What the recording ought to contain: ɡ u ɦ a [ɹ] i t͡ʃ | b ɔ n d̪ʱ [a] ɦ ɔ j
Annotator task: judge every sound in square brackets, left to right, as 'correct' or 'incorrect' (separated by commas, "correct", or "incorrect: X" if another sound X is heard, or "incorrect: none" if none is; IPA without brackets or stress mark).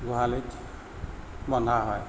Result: incorrect: l, correct